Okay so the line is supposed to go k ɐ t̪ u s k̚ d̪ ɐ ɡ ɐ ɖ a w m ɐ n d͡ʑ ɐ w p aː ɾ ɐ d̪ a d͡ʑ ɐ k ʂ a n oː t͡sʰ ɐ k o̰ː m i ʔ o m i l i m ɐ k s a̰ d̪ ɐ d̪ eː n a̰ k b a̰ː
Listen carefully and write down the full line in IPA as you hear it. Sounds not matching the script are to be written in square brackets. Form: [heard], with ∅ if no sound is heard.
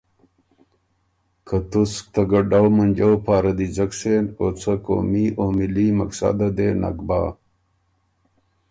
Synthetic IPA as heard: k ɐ t̪ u s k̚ [t̪] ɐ ɡ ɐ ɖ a w m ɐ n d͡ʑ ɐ w p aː ɾ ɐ d̪ [i] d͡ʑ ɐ k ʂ [e] n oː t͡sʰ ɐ k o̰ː m i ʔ o m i l i m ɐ k s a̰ d̪ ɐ d̪ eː n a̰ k b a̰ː